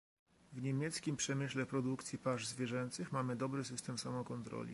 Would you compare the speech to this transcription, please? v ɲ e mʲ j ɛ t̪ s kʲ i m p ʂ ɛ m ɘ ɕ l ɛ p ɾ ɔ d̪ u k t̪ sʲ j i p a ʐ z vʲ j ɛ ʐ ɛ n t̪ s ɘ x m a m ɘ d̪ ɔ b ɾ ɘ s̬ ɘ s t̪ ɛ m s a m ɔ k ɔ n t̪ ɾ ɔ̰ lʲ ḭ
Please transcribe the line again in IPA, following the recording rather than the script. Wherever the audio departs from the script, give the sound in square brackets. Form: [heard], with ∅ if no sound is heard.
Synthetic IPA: v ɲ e mʲ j ɛ t̪ s kʲ i m p ʂ ɛ m ɘ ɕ l ɛ p ɾ ɔ d̪ u k t̪ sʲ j i p a ʐ z vʲ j ɛ ʐ ɛ n t̪ s ɘ x m a m ɘ d̪ ɔ b ɾ ɘ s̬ ɘ s t̪ ɛ m s a m ɔ k ɔ n t̪ ɾ ɔ̰ lʲ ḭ